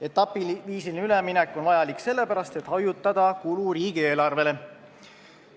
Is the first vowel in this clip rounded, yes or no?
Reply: no